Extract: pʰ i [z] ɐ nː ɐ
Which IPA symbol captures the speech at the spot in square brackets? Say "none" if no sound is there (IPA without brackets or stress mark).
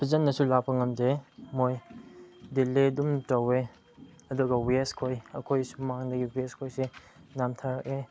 z